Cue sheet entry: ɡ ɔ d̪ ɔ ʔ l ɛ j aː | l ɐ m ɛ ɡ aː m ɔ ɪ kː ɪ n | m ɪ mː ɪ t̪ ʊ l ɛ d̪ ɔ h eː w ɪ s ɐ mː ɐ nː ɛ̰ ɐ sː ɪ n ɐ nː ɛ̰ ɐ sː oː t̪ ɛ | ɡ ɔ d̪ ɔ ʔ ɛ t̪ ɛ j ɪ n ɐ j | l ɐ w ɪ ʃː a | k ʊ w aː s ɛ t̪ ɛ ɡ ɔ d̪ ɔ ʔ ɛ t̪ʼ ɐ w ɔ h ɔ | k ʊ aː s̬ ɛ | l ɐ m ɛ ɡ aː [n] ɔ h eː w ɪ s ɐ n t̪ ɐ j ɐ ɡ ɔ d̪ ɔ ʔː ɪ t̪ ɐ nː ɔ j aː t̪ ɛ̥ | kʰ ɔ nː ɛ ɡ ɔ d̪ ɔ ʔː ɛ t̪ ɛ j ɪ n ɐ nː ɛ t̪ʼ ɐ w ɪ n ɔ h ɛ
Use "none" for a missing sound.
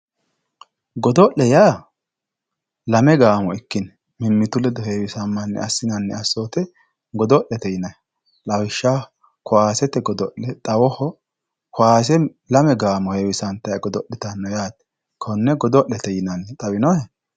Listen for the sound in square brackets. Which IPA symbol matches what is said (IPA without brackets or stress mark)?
m